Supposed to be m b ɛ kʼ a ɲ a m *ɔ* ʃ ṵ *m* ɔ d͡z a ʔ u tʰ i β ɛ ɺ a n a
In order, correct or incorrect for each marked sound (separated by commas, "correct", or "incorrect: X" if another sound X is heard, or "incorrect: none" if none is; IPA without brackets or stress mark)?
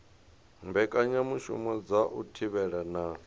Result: incorrect: u, correct